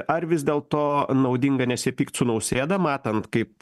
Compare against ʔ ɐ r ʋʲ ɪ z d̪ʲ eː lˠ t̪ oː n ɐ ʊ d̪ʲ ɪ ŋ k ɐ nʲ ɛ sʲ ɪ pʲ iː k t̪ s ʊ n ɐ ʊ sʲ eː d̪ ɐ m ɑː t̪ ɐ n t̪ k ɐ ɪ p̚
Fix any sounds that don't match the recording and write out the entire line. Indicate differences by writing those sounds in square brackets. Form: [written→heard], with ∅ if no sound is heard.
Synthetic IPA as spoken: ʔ ɐ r ʋʲ ɪ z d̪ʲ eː lˠ t̪ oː n ɐ ʊ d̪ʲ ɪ ŋ [k→ɡ] ɐ nʲ ɛ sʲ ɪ pʲ iː k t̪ s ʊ n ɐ ʊ sʲ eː d̪ ɐ m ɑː t̪ ɐ n t̪ k ɐ ɪ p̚